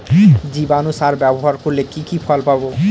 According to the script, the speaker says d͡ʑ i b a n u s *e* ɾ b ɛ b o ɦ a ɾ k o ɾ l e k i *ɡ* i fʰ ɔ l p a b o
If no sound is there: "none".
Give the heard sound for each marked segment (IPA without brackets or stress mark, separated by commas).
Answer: a, k